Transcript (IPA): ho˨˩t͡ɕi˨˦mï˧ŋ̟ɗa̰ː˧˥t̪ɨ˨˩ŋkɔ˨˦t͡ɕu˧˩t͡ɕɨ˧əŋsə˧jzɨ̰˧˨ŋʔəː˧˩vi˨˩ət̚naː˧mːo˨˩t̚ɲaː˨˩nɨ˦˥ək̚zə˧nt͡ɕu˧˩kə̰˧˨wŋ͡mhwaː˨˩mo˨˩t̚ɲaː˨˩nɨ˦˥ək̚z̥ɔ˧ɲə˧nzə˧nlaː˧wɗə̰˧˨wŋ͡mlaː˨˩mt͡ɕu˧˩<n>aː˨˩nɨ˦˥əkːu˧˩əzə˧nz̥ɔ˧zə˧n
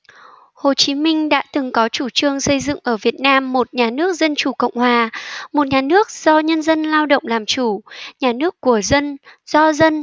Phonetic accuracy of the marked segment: incorrect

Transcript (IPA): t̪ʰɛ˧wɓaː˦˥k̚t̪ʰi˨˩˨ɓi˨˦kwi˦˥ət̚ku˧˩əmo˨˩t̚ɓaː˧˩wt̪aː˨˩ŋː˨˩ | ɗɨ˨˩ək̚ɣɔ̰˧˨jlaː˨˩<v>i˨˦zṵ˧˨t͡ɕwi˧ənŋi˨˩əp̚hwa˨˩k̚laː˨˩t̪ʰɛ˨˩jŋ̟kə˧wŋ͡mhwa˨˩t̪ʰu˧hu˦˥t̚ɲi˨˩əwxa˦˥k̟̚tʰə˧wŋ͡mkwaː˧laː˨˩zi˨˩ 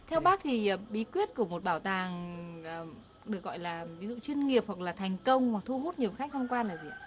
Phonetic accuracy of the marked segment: correct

